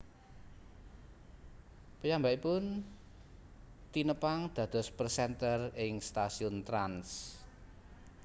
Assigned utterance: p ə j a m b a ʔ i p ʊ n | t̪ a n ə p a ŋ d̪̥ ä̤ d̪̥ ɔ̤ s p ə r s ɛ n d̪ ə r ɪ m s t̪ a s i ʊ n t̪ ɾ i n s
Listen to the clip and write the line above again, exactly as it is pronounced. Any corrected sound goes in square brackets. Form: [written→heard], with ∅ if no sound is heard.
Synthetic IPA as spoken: p ə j a m b a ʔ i p ʊ n | t̪ [a→i] n ə p a ŋ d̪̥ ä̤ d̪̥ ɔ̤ s p ə r s ɛ n [d̪→t̪] ə r ɪ [m→ŋ] s t̪ a s i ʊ n t̪ ɾ [i→a] n s

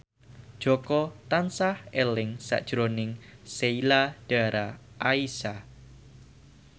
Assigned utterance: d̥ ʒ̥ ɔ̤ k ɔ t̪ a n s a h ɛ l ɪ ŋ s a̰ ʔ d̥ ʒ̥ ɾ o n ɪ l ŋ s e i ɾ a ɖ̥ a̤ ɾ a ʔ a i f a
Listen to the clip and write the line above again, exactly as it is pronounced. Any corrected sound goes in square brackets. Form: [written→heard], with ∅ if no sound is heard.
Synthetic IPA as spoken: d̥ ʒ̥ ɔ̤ k ɔ t̪ a n s a h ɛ l ɪ ŋ s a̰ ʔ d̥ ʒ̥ ɾ o n ɪ [l→∅] ŋ s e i [ɾ→l] a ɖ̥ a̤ ɾ a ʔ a i [f→s] a

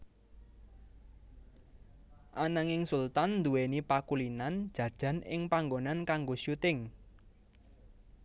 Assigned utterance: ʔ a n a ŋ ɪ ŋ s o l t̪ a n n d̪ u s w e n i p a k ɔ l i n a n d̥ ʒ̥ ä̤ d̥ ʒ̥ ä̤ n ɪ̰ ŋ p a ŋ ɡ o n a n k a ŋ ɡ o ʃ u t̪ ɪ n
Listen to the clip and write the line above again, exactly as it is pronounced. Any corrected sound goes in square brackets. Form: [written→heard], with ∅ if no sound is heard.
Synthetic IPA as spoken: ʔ a n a ŋ ɪ ŋ s [o→u] l t̪ a n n d̪ u [s→∅] w e n i p a k [ɔ→u] l i n a n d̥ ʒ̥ ä̤ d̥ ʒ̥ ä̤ n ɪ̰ ŋ p a ŋ ɡ o n a n k a ŋ ɡ o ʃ u t̪ ɪ [n→ŋ]

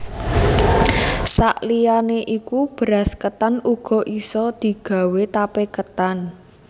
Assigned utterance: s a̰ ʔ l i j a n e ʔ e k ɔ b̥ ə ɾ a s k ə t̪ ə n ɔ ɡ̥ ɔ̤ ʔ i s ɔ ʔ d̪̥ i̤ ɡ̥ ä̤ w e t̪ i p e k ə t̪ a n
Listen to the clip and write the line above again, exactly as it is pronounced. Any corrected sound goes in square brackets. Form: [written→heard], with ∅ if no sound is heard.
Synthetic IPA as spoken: s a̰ ʔ l i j a n e ʔ [e→i] k [ɔ→u] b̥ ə ɾ a s k ə t̪ [ə→a] n [ɔ→u] ɡ̥ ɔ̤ ʔ i s ɔ [ʔ→∅] d̪̥ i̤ ɡ̥ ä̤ w e t̪ [i→a] p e k ə t̪ a n

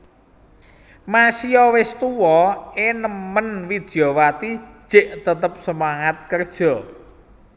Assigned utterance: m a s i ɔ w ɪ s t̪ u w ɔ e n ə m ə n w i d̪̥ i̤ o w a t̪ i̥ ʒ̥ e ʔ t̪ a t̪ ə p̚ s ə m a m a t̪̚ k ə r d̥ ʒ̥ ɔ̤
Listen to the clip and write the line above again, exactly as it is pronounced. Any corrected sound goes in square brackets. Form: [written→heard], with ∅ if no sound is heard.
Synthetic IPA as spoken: m a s i ɔ w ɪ s t̪ u w ɔ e n ə m ə n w i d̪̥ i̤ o w a t̪ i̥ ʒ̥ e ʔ t̪ [a→ə] t̪ ə p̚ s ə m a [m→ŋ] a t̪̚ k ə r d̥ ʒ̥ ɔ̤

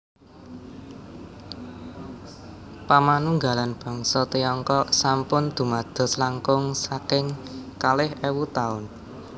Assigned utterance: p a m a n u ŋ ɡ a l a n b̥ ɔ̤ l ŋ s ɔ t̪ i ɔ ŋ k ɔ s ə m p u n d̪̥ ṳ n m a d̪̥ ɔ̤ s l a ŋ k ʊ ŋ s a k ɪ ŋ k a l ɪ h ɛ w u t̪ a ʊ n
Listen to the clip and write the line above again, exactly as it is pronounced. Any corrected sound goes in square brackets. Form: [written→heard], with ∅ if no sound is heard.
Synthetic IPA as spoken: p a m a n u ŋ ɡ a l a n b̥ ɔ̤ [l→∅] ŋ s ɔ t̪ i ɔ ŋ k ɔ s [ə→a] m p [u→ʊ] n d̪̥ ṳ [n→∅] m a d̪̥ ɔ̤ s l a ŋ k ʊ ŋ s a k ɪ ŋ k a l ɪ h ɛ w u t̪ a ʊ n

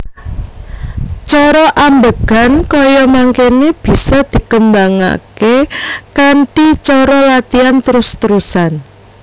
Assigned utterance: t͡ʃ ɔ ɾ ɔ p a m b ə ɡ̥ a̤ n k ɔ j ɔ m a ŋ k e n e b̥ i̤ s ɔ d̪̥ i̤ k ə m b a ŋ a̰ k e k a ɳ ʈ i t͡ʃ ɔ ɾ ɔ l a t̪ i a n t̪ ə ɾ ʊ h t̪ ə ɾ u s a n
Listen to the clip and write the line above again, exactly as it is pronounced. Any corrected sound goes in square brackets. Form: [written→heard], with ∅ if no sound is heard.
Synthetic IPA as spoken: t͡ʃ ɔ ɾ ɔ [p→ʔ] a m b ə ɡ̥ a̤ n k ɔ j ɔ m a ŋ k e n e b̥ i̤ s ɔ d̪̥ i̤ k ə m b a ŋ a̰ k e k a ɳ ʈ i t͡ʃ ɔ ɾ ɔ l a t̪ i a n t̪ ə ɾ ʊ [h→s] t̪ ə ɾ u s a n

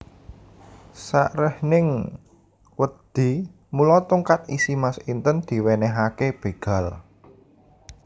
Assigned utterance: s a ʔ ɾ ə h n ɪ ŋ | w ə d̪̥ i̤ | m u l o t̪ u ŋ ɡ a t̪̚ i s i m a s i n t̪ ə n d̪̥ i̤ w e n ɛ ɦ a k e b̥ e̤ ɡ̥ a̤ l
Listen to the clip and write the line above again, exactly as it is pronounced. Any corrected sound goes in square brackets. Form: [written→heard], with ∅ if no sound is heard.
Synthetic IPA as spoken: s a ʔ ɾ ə h n ɪ ŋ | w ə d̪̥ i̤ | m u l [o→ɔ] t̪ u ŋ [ɡ→k] a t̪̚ i s i m a s i n t̪ ə n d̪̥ i̤ w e n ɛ ɦ a k e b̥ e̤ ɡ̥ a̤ l

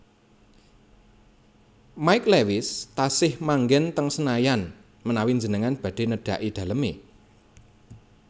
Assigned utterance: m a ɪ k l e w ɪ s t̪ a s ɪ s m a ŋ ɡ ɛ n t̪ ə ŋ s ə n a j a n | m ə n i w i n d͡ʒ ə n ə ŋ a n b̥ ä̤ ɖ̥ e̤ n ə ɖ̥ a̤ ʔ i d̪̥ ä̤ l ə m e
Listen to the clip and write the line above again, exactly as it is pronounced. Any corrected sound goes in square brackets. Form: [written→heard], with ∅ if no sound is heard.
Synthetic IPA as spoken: m a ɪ k l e w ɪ s t̪ a s ɪ [s→h] m a ŋ ɡ ɛ n t̪ ə ŋ s ə n a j a n | m ə n [i→a] w i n d͡ʒ ə n ə ŋ a n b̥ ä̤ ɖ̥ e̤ n ə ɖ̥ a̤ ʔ i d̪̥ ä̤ l ə m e

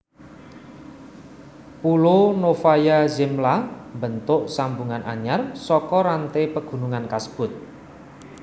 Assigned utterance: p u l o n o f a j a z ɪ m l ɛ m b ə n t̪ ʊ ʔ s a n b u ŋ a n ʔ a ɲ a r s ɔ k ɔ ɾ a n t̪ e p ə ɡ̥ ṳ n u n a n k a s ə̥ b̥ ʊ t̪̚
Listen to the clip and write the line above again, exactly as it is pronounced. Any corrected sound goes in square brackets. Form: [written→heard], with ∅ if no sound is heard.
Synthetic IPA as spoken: p u l o n o f a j a z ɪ m l [ɛ→a] m b ə n t̪ ʊ ʔ s a [n→m] b u ŋ a n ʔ a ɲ a r s ɔ k ɔ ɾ a n t̪ e p ə ɡ̥ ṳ n u [n→ŋ] a n k a s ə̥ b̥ ʊ t̪̚

